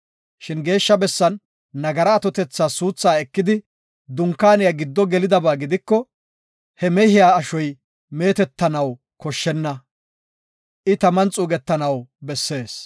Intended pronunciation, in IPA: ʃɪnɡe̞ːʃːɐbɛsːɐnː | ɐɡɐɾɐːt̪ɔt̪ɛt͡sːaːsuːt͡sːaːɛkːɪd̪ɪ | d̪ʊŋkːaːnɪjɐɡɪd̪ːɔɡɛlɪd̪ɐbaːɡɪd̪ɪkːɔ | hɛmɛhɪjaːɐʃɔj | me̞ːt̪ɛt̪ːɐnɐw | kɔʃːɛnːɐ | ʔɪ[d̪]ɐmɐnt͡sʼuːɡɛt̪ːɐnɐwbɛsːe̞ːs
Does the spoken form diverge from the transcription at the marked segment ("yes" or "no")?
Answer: yes